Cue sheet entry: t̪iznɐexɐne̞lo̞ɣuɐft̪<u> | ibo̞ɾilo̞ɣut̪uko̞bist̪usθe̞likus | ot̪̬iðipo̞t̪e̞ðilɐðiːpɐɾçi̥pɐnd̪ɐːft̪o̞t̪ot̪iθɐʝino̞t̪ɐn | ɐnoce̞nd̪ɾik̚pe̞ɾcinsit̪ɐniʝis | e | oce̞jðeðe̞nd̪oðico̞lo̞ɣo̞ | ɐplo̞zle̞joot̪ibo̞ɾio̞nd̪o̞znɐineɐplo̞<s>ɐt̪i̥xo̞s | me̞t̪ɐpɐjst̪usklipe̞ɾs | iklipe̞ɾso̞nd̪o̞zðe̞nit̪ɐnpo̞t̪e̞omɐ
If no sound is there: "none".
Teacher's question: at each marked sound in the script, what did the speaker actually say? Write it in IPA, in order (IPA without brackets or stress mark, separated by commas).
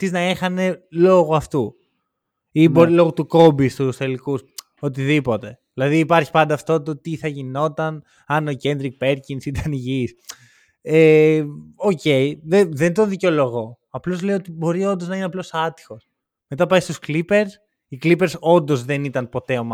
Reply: u, s